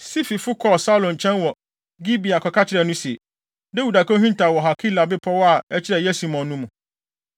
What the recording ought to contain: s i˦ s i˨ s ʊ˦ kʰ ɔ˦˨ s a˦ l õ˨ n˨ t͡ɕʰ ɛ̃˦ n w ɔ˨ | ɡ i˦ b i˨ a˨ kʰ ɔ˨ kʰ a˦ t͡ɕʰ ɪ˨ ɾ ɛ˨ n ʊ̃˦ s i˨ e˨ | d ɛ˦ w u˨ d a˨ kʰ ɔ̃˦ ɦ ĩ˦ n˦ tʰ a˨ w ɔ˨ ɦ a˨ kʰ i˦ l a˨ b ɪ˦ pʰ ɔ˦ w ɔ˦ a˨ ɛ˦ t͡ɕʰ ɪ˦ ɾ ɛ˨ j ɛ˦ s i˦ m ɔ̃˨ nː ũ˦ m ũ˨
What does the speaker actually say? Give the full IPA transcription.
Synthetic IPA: s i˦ f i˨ f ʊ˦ kʰ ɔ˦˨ s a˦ l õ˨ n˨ t͡ɕʰ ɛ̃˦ n w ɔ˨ | ɡ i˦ b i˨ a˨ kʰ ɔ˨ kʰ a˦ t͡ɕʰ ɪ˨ ɾ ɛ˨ n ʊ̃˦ s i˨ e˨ | d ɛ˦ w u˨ d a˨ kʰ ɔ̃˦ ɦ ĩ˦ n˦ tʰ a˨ w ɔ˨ ɦ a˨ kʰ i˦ l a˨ b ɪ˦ pʰ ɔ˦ w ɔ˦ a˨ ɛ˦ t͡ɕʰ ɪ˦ ɾ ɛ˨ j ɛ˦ s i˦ m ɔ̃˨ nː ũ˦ m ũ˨